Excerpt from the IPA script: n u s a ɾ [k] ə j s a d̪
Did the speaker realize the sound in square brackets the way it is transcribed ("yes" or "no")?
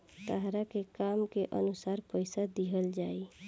no